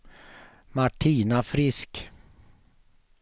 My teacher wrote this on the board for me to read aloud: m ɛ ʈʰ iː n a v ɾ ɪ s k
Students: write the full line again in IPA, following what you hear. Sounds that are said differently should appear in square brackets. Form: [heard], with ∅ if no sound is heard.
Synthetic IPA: m [a] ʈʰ iː n a [f] ɾ ɪ s k